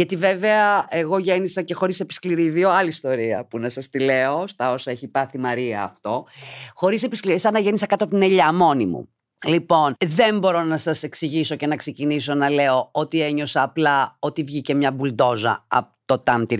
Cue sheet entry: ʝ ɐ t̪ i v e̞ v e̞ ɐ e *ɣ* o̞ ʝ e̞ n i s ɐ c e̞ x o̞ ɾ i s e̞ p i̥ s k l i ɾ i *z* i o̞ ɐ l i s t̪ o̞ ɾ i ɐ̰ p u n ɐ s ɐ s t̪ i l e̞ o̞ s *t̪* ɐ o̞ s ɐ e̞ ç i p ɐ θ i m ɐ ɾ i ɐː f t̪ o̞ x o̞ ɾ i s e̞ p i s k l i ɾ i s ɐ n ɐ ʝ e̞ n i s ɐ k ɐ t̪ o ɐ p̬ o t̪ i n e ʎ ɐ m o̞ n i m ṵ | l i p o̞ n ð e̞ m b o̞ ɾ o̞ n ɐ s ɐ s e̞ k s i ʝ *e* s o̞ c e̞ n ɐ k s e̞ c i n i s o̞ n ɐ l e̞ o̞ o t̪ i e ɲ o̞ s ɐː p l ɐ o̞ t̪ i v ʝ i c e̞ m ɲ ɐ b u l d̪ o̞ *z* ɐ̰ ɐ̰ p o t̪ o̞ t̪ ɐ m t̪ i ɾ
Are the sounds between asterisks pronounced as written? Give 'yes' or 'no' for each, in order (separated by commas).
yes, no, yes, no, yes